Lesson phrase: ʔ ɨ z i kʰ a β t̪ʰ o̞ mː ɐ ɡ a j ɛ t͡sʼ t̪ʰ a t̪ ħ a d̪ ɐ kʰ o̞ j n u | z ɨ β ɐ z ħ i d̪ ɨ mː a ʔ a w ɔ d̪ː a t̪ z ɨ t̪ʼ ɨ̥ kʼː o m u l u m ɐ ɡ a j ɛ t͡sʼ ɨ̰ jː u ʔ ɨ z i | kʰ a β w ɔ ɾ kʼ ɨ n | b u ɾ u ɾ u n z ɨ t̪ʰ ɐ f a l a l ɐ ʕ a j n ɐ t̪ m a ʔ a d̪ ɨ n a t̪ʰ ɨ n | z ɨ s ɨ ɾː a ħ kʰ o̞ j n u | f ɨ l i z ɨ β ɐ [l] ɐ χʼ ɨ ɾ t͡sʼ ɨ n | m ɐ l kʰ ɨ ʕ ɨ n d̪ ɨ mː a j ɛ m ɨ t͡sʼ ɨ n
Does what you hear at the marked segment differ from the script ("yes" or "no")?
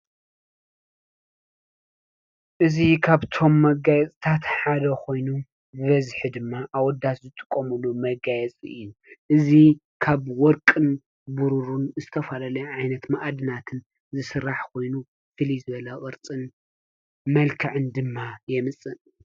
no